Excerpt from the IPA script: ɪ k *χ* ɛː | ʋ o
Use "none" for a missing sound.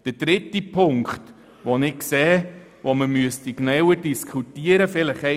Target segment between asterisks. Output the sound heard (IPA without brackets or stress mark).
s